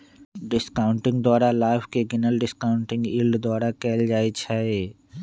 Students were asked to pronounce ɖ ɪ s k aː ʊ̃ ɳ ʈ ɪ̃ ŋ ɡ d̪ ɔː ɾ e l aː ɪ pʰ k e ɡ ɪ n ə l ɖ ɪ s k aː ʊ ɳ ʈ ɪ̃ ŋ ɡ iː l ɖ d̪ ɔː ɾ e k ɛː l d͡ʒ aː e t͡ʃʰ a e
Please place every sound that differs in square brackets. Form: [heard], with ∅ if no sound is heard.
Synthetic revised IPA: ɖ ɪ s k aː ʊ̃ ɳ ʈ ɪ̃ ŋ ɡ d̪ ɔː ɾ [a] l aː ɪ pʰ k e ɡ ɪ n ə l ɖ ɪ s k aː ʊ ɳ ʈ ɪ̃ ŋ ɡ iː l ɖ d̪ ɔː ɾ [a] k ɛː l d͡ʒ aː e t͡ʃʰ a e